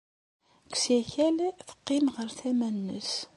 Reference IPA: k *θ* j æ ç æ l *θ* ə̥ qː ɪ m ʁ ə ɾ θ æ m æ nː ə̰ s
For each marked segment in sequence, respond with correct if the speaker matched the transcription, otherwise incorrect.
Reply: incorrect, correct

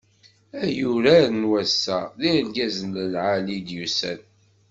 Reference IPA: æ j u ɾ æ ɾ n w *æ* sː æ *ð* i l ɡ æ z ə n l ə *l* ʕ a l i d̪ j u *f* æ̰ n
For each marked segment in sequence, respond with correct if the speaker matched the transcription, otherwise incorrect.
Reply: correct, correct, correct, incorrect

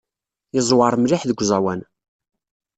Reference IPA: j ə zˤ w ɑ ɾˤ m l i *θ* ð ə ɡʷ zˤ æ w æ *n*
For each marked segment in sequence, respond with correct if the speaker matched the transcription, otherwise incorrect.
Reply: incorrect, correct

